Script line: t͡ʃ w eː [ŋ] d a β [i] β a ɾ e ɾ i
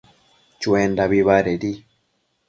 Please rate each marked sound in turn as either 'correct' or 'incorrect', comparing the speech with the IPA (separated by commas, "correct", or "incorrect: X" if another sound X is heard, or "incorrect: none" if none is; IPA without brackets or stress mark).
incorrect: n, correct